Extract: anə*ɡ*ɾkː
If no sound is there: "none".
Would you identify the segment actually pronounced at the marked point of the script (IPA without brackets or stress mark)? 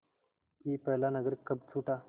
ɡ